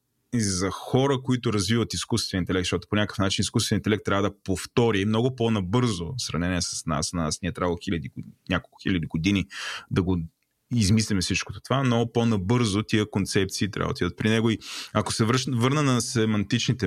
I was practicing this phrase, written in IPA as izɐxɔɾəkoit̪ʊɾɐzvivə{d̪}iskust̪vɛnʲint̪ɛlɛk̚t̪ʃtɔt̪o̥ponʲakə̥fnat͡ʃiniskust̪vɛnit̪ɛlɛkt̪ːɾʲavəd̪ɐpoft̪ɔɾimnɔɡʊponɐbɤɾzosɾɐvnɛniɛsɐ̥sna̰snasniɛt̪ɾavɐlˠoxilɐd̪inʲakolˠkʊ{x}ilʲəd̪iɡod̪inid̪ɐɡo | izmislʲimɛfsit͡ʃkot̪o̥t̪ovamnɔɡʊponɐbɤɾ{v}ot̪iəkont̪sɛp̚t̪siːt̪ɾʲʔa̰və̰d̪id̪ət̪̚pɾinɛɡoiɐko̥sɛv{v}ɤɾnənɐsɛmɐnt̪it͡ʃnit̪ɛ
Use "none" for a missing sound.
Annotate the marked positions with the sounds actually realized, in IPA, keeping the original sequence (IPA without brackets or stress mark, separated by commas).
t̪, x, z, v